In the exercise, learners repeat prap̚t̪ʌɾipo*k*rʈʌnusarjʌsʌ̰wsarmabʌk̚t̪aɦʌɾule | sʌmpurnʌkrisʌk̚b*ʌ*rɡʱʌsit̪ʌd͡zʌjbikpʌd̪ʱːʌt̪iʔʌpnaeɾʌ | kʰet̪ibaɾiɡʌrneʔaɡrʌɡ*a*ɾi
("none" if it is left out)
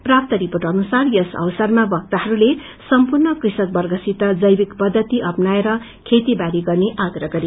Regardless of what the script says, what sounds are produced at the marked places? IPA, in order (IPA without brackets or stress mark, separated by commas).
none, ʌ, ʌ